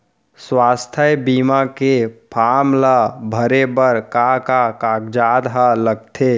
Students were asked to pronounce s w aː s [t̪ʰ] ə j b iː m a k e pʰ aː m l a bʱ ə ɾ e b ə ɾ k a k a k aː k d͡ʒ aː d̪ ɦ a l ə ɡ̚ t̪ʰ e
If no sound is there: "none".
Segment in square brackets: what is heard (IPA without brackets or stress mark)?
t̪ʰ